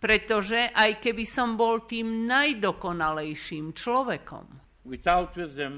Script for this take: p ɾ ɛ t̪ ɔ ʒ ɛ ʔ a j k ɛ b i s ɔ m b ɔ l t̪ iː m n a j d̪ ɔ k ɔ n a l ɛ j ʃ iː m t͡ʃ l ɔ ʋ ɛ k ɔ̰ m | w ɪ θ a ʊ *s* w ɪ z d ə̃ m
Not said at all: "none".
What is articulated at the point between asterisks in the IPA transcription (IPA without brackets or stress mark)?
t